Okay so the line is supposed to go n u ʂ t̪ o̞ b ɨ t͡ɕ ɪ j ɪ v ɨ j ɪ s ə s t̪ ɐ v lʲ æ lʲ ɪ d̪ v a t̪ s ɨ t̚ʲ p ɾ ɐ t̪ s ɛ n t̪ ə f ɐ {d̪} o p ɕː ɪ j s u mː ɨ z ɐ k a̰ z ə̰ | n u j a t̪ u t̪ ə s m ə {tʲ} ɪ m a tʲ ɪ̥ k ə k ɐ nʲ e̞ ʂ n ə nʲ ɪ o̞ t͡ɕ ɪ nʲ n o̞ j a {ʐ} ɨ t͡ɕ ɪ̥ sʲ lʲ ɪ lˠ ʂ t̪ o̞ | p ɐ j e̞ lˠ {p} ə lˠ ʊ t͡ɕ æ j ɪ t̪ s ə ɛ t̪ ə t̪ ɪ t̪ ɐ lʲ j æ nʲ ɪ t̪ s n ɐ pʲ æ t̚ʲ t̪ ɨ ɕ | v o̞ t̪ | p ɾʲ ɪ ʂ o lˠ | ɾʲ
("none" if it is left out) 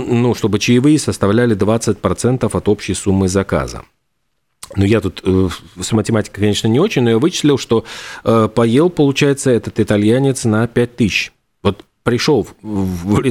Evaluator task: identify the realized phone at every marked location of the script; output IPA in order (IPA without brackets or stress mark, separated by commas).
t̪, tʲ, v, p